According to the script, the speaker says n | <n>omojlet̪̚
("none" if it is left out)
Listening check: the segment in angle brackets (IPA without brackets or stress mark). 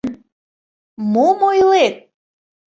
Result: m